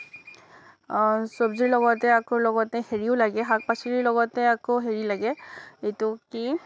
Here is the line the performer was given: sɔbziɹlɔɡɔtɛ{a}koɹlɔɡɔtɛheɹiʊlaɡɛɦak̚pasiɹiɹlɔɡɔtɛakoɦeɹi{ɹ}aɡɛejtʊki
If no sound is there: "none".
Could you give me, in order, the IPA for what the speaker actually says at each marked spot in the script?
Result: a, l

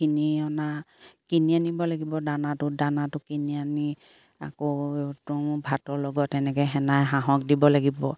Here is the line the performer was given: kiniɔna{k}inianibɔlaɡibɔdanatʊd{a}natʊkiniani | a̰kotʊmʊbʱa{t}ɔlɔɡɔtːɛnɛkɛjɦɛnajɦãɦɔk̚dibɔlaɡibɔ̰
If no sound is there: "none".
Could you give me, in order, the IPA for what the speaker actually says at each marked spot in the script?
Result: k, a, t

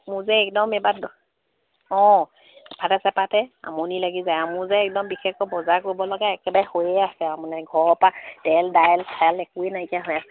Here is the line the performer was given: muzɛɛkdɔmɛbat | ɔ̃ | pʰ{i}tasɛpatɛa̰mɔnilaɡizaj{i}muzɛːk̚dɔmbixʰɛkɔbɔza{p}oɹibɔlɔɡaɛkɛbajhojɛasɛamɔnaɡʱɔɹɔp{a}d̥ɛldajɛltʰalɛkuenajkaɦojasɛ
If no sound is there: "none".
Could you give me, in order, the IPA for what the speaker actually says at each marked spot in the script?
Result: a, a, k, a

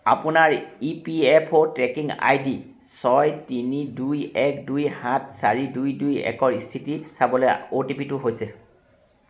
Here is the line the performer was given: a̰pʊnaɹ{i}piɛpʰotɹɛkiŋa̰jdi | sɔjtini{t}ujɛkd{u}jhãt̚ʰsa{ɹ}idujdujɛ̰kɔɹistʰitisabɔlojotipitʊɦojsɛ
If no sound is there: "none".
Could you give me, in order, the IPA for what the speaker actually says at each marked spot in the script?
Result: i, d, u, ɹ

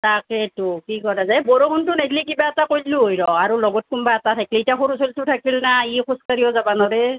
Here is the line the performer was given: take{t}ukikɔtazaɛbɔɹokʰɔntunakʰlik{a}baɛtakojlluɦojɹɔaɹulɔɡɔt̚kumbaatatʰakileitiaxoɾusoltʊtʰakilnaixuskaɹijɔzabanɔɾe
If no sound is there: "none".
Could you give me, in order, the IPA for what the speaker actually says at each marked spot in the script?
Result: t, i

